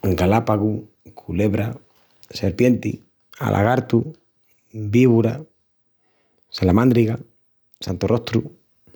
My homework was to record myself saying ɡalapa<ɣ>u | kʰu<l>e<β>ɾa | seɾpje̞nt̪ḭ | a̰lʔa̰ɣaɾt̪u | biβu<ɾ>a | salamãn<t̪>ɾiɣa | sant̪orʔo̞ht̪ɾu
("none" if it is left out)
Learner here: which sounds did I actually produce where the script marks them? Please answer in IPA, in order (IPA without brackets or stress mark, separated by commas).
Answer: ɣ, l, β, ɾ, d̪